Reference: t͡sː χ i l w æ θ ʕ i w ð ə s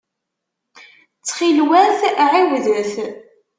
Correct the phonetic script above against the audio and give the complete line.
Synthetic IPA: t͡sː χ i l w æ θ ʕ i w ð ə θ

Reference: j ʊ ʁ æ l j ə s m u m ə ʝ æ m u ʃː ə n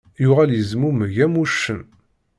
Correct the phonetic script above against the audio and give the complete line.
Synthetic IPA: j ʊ ʁ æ l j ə z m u m ə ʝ æ m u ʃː ə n

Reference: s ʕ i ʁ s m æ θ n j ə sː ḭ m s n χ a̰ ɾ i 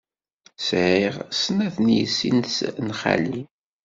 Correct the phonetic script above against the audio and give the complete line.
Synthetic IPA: s ʕ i ʁ s n æ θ n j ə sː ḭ n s n χ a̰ l i

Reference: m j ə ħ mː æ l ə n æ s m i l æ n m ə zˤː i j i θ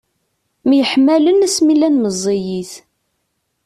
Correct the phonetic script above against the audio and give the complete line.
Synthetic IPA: m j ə ħ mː æ l ə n æ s m i l æ n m ə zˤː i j i θ

